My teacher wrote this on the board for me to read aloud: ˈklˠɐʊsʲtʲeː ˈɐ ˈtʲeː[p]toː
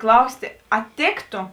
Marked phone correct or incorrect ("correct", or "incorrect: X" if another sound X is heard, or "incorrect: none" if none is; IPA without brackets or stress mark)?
incorrect: k